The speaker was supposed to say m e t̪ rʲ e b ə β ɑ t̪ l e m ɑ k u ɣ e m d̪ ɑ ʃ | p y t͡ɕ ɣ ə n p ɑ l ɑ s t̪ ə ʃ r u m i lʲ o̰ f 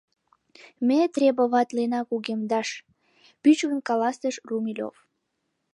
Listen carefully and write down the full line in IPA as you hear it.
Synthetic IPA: m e t̪ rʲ e b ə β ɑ t̪ l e n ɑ k u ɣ e m d̪ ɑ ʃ | p y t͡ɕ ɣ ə n k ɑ l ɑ s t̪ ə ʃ r u m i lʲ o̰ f